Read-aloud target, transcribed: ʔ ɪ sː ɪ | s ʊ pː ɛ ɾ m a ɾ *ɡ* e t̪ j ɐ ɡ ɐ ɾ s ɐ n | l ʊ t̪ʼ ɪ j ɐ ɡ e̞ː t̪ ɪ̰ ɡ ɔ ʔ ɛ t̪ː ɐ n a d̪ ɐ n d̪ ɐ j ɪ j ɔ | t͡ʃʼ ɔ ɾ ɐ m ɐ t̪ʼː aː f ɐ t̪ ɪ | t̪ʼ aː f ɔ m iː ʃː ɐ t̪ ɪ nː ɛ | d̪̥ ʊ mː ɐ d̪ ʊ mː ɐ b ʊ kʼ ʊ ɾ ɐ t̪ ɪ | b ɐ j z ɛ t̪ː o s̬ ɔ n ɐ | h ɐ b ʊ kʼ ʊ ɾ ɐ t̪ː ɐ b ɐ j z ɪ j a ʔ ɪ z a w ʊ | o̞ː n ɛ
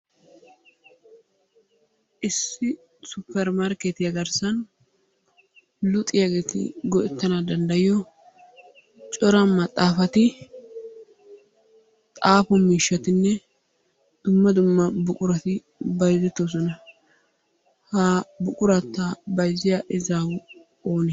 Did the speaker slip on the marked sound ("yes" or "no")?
yes